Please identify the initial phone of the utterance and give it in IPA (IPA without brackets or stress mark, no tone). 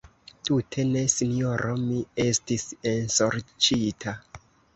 t